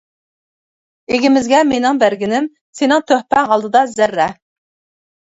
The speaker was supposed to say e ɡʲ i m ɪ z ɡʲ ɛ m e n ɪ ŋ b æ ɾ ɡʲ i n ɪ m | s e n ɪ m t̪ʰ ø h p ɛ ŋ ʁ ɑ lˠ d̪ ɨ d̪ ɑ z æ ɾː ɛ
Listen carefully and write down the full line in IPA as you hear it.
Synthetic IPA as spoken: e ɡʲ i m ɪ z ɡʲ ɛ m e n ɪ ŋ b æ ɾ ɡʲ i n ɪ m | s e n ɪ ŋ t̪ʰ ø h p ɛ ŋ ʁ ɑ lˠ d̪ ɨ d̪ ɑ z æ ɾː ɛ